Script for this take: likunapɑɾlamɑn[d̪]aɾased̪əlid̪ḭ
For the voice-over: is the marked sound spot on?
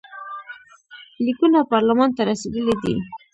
no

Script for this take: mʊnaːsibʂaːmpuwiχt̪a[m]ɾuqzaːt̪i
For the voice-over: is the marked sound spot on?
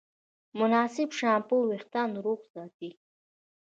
no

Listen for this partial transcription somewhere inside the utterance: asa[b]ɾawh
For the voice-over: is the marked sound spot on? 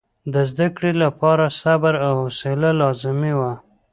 yes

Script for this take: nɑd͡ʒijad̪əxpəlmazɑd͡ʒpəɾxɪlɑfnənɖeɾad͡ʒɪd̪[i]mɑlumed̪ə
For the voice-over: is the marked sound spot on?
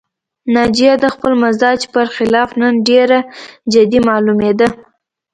yes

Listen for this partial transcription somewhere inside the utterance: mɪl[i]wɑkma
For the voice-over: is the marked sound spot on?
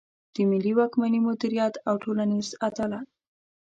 yes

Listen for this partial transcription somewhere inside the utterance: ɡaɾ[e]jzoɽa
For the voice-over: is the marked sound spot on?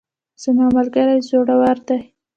no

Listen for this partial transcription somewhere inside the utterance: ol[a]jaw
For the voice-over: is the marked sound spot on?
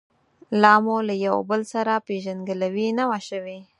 yes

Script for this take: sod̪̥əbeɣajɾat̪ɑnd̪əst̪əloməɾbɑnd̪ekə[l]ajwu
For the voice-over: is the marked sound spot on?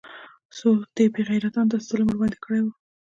no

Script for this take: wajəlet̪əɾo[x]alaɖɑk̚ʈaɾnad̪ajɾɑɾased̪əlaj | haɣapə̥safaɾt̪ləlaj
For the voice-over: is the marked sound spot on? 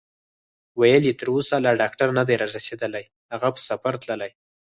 no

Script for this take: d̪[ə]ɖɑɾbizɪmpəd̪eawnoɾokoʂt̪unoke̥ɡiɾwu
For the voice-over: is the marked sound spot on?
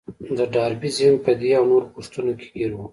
yes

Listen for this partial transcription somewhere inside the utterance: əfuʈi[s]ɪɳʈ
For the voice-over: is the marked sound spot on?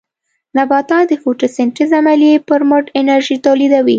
yes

